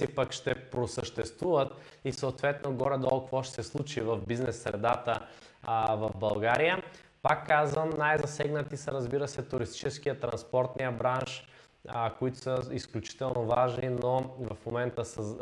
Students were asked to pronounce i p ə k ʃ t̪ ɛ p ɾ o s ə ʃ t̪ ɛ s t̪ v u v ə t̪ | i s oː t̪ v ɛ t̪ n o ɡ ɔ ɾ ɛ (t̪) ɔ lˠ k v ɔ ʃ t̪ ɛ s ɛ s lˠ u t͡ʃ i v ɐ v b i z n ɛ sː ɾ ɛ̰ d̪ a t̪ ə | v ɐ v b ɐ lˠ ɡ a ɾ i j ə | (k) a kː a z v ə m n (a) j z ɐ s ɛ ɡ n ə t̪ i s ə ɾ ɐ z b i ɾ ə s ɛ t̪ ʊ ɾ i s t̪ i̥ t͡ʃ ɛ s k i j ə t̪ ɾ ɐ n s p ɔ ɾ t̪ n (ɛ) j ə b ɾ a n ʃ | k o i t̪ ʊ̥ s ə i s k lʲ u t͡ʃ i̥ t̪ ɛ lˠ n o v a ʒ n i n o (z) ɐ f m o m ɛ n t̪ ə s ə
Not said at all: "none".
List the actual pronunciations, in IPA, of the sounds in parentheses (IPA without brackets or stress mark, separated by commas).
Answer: d̪, p, a, i, v